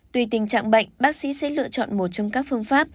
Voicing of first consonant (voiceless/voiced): voiceless